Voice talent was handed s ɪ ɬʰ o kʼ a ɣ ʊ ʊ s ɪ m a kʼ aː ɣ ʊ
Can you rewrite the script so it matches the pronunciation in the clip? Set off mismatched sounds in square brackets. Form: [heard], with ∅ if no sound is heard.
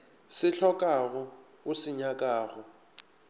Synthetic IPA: s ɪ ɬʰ [ɔ] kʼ a ɣ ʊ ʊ s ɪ [ɲ] a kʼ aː ɣ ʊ